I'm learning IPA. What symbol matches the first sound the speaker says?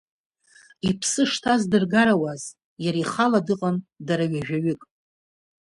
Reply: i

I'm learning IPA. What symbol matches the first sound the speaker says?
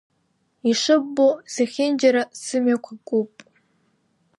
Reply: i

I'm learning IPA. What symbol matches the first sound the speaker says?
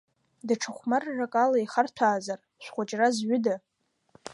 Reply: d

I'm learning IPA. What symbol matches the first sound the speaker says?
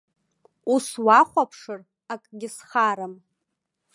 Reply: u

